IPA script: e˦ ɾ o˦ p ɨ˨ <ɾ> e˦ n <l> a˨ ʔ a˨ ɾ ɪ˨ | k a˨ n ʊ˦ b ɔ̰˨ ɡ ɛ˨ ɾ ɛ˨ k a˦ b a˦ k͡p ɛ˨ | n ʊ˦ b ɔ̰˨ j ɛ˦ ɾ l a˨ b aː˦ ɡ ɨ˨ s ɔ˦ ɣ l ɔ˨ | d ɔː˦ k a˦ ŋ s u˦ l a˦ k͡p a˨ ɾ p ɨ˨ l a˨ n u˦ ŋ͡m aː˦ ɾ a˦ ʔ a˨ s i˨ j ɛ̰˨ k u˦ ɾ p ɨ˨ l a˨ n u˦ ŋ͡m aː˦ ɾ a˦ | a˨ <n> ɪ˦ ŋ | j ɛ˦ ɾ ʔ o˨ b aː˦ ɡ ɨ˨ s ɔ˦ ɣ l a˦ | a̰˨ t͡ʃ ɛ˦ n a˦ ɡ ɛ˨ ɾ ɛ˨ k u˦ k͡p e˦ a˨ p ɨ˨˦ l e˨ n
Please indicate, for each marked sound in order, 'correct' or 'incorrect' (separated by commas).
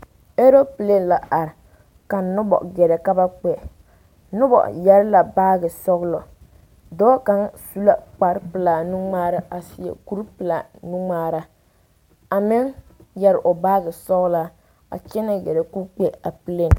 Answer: incorrect, correct, incorrect